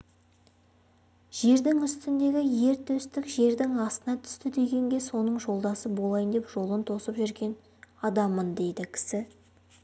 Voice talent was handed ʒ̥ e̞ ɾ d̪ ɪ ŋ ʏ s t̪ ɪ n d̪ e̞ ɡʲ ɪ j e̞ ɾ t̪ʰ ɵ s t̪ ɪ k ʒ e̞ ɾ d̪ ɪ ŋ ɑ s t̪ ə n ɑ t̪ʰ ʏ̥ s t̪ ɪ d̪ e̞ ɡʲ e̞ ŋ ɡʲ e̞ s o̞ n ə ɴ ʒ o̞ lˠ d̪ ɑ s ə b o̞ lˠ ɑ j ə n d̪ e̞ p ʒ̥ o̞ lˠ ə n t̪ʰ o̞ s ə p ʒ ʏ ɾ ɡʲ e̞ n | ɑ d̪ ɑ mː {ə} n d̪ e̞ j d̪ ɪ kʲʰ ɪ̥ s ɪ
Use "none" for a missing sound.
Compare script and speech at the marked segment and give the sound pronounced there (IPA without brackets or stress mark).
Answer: ə